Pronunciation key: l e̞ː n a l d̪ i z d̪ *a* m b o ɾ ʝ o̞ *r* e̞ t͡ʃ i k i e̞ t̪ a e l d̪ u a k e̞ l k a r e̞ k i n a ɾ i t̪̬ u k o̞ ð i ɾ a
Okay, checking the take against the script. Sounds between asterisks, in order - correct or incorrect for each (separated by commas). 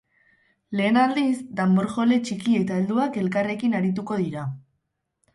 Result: correct, incorrect